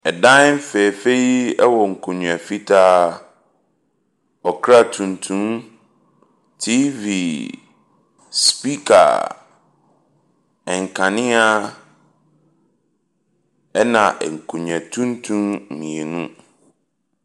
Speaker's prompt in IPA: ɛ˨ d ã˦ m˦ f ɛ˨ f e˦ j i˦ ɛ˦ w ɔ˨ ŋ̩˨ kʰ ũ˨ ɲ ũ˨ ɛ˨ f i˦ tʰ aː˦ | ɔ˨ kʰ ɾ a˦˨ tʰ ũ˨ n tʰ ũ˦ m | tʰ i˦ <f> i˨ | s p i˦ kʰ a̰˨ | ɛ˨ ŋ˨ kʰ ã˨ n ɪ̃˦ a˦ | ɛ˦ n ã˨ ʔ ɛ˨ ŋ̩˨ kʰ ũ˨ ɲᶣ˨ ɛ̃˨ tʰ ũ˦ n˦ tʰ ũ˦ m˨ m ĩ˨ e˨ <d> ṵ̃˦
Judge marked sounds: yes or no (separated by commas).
no, no